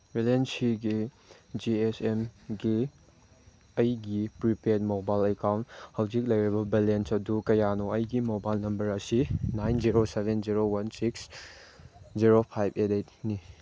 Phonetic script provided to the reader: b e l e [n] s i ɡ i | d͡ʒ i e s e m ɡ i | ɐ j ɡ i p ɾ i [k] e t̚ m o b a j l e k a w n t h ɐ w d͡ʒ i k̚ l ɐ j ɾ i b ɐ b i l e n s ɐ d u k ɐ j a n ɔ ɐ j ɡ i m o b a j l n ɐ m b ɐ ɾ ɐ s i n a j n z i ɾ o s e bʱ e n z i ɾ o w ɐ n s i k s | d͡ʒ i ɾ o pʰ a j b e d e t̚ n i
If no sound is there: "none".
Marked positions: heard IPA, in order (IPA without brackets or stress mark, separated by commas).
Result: n, p